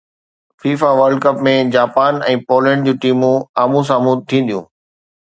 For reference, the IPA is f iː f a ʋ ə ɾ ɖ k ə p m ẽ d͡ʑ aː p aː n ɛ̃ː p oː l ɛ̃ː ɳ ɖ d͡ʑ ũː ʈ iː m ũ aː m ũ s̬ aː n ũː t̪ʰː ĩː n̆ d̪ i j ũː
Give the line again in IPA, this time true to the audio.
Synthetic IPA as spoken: f iː f a ʋ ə ɾ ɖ k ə p m ẽ d͡ʑ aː p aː n ɛ̃ː p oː l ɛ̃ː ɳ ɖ d͡ʑ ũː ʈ iː m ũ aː m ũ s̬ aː m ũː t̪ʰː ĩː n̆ d̪ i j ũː